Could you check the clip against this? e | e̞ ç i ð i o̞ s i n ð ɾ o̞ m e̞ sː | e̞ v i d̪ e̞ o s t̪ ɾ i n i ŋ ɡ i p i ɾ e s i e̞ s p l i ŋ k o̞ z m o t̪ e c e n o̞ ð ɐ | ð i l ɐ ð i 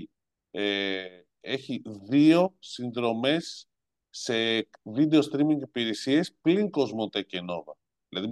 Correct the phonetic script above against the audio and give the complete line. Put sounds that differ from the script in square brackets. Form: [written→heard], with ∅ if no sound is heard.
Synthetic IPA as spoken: e | e̞ ç i ð i o̞ s i n ð ɾ o̞ m e̞ sː | e̞ v i d̪ e̞ o s t̪ ɾ i [n→m] i ŋ ɡ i p i ɾ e s i e̞ s p l i ŋ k o̞ z m o t̪ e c e n o̞ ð ɐ | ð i l ɐ ð i